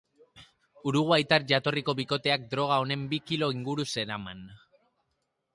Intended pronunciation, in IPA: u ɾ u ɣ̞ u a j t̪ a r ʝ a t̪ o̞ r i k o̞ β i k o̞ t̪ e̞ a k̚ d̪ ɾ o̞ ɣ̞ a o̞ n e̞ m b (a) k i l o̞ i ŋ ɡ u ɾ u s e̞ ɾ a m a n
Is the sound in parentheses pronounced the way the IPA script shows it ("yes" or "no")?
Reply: no